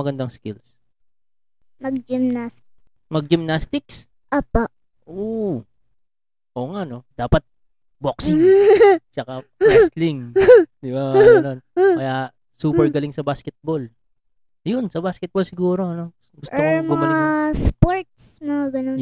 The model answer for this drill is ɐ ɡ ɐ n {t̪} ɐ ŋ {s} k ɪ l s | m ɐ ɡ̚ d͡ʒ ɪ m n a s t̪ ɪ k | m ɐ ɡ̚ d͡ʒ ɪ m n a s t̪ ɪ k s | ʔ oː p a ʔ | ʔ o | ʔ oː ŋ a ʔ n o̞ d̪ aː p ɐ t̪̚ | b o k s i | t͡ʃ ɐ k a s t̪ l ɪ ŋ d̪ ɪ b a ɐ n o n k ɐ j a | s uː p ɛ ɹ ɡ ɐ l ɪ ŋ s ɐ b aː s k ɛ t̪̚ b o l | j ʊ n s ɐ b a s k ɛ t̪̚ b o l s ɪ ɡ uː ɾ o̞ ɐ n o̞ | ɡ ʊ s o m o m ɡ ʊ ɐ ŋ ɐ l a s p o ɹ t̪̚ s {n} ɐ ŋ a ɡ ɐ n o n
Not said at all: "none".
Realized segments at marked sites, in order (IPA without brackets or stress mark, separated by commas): d̪, s, m